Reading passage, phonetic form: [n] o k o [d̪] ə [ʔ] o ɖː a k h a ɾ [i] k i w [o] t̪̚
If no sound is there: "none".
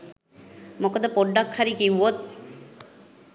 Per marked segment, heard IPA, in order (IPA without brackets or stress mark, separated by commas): m, d̪, p, i, o